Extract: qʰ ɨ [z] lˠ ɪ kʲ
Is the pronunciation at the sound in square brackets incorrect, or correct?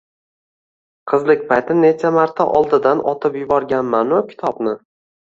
correct